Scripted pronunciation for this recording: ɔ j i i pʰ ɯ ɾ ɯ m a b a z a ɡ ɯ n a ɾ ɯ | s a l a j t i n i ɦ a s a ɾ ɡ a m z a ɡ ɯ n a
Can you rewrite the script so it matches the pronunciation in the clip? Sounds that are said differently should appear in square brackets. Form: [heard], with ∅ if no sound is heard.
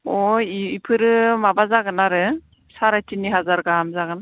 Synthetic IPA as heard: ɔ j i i pʰ ɯ ɾ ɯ m a b a z a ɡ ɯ n a ɾ ɯ | s a [ɾ] a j t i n i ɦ a [z] a ɾ ɡ a m z a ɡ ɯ n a